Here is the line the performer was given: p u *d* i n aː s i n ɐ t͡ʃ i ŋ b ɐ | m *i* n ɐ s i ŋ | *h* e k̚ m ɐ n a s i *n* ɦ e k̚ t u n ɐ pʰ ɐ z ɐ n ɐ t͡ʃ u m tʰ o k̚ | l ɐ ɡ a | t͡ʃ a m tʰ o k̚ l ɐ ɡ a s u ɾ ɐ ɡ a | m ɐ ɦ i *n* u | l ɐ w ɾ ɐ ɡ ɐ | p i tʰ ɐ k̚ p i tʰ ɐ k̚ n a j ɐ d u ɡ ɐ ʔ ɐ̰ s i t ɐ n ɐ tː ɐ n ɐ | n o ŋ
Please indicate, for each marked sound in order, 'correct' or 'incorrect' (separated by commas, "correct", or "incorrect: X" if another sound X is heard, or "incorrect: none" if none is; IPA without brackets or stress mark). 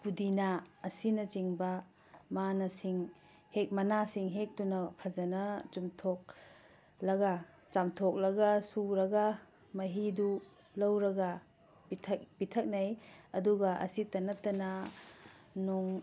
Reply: correct, incorrect: a, correct, incorrect: ŋ, incorrect: d